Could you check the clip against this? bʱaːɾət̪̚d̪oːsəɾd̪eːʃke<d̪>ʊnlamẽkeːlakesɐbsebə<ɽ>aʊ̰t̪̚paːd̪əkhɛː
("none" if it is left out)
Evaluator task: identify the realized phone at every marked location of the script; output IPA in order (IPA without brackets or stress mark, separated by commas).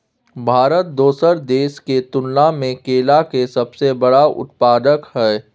t̪, ɽ